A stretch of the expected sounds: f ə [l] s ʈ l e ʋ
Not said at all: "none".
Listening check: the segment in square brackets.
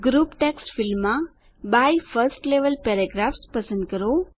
ɾ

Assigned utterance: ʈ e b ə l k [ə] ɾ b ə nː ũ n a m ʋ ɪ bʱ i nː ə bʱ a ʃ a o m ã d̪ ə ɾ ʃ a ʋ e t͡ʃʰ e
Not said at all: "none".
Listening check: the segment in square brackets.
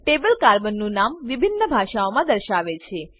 a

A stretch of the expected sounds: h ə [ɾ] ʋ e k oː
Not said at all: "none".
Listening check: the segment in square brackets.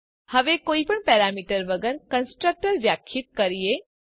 none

